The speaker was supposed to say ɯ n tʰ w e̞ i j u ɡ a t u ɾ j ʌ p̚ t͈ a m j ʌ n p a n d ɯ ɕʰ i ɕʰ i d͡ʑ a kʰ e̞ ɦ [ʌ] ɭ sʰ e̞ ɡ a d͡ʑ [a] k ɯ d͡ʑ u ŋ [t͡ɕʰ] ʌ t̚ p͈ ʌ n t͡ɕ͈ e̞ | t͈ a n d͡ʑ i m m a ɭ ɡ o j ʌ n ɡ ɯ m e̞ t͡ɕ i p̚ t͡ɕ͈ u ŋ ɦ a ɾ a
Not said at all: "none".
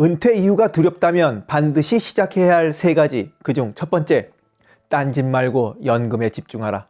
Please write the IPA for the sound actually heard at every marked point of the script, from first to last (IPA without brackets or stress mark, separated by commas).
a, i, t͡ɕʰ